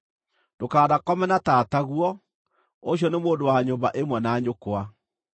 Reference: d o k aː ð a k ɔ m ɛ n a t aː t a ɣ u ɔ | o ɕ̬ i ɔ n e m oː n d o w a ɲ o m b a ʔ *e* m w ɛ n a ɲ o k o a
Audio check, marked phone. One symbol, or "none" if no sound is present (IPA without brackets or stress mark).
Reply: e